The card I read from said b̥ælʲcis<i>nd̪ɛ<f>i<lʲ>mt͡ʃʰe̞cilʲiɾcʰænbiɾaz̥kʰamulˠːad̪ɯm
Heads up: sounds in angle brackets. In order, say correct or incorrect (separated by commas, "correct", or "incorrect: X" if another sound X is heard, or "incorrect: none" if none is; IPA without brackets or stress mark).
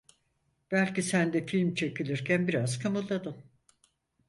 incorrect: æ, correct, correct